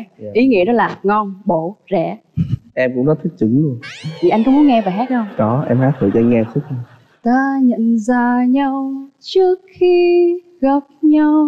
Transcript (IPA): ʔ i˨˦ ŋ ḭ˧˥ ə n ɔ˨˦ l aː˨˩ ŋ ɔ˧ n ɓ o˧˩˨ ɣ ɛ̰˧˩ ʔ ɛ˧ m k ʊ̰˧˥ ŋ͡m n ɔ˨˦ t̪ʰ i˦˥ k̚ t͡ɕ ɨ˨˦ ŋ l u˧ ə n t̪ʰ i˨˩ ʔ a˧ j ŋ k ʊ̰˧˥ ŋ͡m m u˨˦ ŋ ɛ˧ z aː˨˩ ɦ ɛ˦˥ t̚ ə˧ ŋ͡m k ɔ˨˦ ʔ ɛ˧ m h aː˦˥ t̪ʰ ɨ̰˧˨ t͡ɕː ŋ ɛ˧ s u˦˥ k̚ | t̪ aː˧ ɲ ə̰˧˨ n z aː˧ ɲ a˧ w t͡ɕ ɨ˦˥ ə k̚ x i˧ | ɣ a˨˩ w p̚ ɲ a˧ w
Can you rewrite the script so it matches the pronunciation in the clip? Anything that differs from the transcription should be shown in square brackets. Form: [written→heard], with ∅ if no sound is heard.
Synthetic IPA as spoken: ʔ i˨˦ ŋ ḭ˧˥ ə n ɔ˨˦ l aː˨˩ ŋ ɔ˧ n ɓ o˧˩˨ [ɣ→z] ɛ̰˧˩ ʔ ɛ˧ m k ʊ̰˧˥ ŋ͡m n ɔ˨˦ t̪ʰ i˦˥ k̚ t͡ɕ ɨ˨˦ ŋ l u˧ ə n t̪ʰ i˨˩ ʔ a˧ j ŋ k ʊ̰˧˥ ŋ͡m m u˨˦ ŋ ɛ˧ [z→v] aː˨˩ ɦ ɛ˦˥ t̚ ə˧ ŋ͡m k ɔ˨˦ ʔ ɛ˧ m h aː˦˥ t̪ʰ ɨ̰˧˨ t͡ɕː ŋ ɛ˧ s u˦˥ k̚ | t̪ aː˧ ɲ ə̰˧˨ n z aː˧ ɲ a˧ w t͡ɕ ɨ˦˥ ə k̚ x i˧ | ɣ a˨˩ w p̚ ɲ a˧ w